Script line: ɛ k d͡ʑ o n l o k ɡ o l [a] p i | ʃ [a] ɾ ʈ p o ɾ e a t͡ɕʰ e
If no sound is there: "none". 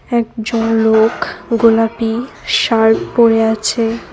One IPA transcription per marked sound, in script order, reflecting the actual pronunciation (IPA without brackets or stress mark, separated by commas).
a, a